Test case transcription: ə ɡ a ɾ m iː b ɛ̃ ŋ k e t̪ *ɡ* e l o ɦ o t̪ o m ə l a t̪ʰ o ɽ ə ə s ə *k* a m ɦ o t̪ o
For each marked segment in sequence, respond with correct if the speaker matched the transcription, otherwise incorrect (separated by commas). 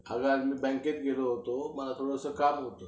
correct, correct